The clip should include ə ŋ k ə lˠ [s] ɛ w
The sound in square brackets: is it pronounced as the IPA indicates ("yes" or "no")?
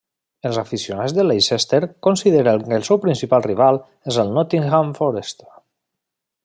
yes